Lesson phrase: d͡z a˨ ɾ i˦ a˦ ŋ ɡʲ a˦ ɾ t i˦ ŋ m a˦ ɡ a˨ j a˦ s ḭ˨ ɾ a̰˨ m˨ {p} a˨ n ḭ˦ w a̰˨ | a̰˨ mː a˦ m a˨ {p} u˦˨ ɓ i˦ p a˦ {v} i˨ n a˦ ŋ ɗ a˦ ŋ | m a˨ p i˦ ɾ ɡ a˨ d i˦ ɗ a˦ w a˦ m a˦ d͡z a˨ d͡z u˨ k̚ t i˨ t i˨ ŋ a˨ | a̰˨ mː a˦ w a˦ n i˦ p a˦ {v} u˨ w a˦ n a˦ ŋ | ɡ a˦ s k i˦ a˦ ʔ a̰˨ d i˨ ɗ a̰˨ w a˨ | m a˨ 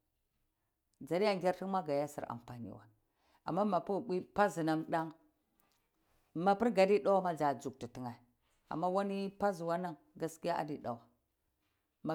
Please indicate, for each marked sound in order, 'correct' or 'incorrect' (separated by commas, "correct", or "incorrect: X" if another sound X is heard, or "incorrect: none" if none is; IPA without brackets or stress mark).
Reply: correct, correct, incorrect: z, incorrect: z